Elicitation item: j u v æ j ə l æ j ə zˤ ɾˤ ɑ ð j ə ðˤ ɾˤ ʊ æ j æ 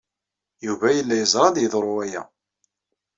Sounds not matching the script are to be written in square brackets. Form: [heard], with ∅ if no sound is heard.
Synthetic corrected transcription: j u v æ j ə [lː] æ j ə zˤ ɾˤ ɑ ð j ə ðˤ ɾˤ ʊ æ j æ